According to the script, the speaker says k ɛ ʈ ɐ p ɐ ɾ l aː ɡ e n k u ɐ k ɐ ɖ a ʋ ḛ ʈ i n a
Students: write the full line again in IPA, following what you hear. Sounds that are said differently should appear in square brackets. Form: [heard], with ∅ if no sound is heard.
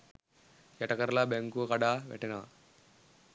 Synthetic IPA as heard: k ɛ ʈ ɐ [k] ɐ ɾ l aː [b] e [ŋ] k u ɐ k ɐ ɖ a ʋ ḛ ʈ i n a